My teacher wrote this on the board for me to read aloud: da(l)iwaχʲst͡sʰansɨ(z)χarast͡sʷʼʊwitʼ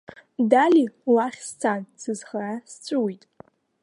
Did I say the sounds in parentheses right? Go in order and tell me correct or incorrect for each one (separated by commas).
correct, correct